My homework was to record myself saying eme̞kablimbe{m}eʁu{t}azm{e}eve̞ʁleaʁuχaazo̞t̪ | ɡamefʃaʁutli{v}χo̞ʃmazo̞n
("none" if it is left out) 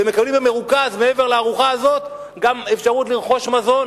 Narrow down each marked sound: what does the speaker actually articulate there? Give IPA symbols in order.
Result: m, k, e, ʁ

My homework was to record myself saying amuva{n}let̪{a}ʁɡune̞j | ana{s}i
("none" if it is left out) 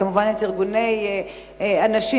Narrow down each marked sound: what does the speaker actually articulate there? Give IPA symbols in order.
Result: n, i, ʃ

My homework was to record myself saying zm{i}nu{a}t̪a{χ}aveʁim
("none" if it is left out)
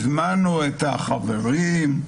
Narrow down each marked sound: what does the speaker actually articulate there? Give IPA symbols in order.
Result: a, e, χ

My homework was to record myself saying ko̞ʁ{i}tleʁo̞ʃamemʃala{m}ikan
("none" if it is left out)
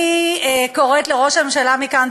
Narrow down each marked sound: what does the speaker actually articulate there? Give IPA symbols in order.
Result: e, m

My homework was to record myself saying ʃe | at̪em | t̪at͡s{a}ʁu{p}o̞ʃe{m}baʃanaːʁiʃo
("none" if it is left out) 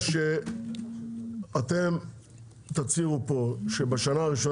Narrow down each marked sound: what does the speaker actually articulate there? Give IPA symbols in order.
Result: i, p, none

